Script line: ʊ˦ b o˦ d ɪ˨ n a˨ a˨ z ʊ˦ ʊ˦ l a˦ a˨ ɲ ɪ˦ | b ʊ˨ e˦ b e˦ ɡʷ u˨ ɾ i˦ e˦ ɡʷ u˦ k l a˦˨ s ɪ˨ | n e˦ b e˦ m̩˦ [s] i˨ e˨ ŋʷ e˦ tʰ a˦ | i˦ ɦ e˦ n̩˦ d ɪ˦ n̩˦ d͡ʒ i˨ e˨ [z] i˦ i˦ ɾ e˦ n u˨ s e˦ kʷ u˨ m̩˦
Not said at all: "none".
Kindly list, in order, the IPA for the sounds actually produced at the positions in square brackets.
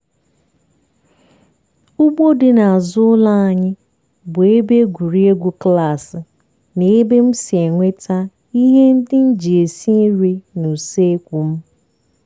s, s

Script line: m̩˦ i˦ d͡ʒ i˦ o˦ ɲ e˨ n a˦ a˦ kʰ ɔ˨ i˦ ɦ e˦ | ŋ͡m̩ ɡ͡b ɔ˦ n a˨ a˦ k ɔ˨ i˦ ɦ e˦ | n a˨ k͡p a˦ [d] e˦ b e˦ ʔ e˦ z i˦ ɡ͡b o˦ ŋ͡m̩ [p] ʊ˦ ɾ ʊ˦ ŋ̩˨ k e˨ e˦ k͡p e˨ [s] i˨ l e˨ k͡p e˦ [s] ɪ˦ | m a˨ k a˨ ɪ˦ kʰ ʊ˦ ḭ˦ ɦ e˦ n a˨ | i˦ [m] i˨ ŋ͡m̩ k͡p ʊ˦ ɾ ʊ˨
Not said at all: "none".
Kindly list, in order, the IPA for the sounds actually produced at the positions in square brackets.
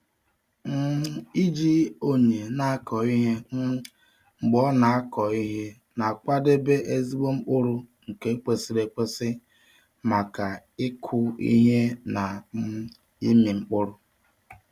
d, k͡p, s, s, m

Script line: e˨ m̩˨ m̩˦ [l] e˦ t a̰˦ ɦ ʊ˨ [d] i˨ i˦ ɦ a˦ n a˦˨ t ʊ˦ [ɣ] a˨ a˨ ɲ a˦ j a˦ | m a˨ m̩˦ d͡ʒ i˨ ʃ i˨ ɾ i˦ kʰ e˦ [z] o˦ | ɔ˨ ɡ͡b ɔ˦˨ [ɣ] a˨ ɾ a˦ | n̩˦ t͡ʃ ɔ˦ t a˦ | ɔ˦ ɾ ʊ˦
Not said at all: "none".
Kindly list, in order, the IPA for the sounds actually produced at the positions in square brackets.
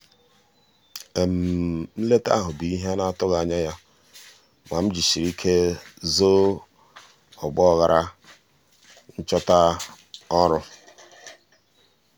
l, b, ɣ, z, ɣ

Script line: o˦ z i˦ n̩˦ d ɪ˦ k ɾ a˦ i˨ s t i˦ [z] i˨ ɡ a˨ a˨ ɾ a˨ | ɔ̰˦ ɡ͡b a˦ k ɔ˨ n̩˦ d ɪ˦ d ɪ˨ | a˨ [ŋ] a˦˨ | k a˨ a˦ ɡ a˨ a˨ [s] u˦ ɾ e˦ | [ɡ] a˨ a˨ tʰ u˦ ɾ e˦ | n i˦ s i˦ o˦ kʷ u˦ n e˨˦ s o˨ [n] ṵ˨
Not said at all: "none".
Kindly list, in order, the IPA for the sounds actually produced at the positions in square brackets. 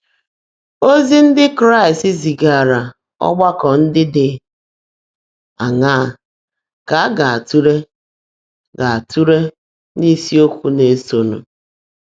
z, ŋ, t, ɡ, n

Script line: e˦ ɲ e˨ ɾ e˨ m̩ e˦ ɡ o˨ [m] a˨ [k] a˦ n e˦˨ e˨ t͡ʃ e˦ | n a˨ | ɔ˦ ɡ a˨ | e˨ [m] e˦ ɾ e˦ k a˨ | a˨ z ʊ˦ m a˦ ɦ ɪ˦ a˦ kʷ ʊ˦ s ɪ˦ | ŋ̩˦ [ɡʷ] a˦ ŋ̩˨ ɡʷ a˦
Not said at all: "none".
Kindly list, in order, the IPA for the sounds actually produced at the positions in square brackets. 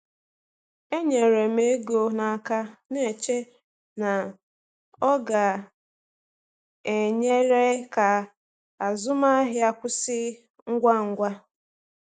n, k, ɲ, ɡʷ

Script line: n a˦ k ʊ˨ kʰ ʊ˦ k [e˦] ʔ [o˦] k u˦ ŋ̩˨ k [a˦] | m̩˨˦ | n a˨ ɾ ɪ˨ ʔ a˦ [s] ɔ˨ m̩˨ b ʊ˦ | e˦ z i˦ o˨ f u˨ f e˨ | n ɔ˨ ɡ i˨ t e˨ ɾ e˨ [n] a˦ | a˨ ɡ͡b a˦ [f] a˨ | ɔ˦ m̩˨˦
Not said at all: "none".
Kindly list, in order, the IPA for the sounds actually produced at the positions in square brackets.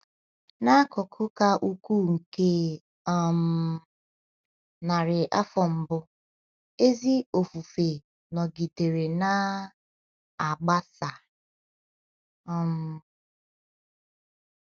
a˦, u˦, e˦, f, n, s

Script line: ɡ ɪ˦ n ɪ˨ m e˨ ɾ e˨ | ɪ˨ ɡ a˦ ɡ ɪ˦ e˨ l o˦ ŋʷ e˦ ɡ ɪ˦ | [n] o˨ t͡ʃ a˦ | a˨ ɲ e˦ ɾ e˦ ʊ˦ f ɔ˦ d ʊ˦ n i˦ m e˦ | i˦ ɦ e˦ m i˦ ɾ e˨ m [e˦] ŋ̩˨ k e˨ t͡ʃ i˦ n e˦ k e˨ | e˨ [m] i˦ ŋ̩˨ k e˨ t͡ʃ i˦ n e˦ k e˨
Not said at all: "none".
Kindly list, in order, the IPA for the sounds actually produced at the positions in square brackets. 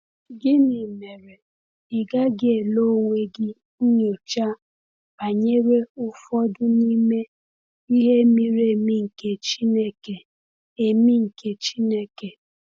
ɲ, i˦, m

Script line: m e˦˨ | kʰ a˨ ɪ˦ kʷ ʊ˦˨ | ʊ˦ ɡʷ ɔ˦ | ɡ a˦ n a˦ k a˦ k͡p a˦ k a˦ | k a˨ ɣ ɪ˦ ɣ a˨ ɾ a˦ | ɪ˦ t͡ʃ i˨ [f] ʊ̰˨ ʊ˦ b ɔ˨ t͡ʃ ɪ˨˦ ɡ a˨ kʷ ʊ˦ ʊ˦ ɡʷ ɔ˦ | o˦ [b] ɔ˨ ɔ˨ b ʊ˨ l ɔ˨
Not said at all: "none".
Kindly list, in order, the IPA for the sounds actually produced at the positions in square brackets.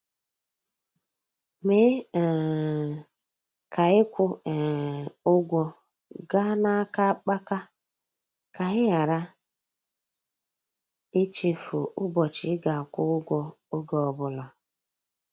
f, ɡ

